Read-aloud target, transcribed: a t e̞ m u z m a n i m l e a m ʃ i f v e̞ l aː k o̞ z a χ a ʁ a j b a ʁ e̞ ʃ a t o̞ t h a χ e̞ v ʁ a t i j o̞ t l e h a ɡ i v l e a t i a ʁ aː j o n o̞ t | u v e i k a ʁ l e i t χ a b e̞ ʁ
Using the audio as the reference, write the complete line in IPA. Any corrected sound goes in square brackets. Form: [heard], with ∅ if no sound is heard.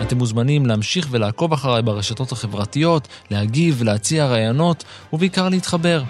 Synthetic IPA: a t e̞ m u z m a n i m l e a m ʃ i [χ] v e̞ l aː k o̞ [v] a χ a ʁ a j b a ʁ e̞ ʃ a t o̞ t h a χ e̞ v ʁ a t i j o̞ t l e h a ɡ i v l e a [t͡s] i a ʁ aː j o n o̞ t | u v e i k a ʁ l e i t χ a b e̞ ʁ